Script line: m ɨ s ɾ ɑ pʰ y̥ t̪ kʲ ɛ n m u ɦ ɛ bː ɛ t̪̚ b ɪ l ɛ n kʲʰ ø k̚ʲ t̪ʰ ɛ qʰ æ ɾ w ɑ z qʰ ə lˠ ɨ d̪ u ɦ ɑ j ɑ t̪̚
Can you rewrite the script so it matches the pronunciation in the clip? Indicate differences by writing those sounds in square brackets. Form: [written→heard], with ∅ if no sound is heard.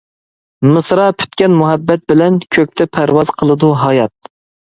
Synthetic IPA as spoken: m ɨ s ɾ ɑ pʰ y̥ t̪ kʲ ɛ n m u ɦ ɛ bː ɛ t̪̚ b ɪ l ɛ n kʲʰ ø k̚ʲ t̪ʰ ɛ [qʰ→pʰ] æ ɾ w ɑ z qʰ ə lˠ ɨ d̪ u ɦ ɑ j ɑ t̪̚